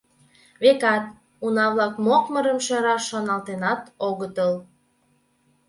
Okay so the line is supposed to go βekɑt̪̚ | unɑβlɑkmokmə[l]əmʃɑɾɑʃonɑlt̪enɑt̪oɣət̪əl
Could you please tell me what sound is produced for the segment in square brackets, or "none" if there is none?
ɾ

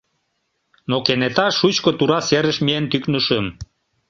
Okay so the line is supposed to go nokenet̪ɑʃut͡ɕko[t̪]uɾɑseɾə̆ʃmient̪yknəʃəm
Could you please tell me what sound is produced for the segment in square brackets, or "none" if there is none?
t̪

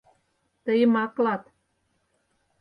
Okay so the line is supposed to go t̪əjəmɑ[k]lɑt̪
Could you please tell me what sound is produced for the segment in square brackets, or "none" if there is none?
k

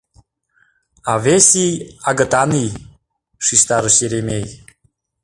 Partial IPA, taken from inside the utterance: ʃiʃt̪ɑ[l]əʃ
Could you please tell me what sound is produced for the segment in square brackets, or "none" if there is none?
ɾ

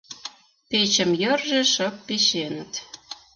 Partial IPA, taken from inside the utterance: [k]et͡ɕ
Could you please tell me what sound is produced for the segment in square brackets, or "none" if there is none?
p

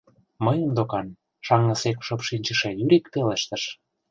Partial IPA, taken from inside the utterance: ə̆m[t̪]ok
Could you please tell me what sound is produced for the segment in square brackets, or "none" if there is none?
d̪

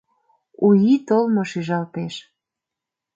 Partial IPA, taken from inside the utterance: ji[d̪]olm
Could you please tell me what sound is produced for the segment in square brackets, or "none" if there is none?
t̪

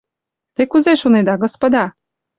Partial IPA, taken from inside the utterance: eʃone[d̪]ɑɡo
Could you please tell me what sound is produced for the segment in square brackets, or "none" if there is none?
d̪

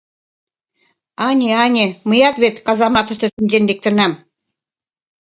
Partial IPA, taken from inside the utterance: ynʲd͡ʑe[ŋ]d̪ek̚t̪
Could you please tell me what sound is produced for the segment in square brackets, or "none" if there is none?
n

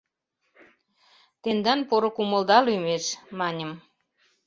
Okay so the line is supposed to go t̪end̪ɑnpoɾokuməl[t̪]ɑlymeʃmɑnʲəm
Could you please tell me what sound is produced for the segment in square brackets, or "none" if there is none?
d̪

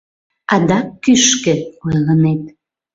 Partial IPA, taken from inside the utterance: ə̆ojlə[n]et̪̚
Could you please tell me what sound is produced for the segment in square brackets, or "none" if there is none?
n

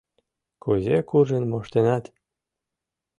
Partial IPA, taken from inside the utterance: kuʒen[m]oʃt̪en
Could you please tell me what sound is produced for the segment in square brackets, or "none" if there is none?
m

